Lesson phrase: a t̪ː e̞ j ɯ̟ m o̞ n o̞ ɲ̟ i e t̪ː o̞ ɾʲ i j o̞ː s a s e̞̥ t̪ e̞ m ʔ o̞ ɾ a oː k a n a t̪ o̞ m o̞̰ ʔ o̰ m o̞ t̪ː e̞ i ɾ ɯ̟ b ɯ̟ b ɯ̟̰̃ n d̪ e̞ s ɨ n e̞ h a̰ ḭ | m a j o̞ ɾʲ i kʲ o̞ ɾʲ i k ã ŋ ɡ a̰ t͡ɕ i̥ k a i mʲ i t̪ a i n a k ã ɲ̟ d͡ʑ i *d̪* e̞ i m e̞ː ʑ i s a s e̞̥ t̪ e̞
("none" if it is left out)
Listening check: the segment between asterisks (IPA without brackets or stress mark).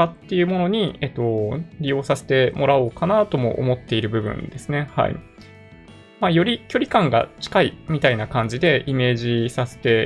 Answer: d̪